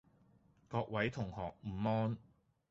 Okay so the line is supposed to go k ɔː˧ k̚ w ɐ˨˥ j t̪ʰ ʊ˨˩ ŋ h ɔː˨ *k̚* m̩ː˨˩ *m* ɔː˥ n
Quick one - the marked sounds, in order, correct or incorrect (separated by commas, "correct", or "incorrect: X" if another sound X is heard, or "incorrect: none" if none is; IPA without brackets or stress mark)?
correct, correct